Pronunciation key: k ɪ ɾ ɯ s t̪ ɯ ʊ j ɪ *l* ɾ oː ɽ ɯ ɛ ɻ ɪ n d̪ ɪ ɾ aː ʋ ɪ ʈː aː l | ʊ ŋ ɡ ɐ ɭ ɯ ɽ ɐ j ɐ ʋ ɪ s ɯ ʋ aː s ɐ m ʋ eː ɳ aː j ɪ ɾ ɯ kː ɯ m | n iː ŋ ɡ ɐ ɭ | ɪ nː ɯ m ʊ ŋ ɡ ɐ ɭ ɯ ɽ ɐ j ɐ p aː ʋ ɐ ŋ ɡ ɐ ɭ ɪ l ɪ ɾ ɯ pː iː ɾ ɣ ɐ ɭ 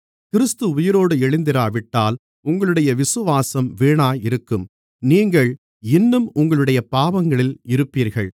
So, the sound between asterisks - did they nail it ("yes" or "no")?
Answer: no